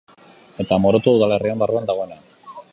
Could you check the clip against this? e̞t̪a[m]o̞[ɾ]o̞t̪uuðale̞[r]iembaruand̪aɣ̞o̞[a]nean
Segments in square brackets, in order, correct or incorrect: correct, correct, correct, incorrect

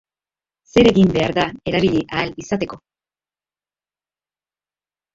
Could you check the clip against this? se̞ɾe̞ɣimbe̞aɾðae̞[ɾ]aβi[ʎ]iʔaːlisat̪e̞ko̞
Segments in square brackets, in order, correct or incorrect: correct, correct

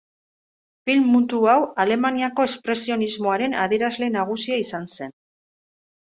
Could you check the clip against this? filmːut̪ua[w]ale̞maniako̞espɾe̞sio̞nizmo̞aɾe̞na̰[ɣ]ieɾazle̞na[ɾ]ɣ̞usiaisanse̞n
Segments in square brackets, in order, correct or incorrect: correct, incorrect, incorrect

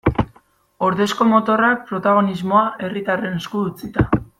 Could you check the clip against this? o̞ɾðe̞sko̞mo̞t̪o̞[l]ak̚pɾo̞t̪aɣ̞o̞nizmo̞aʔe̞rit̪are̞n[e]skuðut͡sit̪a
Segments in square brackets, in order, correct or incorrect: incorrect, correct

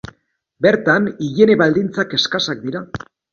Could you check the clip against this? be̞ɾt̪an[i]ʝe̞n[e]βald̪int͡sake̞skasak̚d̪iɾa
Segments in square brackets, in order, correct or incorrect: correct, correct

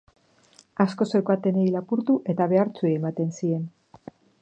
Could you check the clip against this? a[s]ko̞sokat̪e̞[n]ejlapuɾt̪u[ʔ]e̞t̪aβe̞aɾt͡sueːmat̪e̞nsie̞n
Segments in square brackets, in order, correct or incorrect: correct, correct, correct

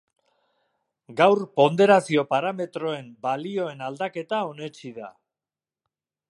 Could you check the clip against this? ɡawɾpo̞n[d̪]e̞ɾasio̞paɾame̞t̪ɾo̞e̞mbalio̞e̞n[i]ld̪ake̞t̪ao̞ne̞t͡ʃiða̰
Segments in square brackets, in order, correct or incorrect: correct, incorrect

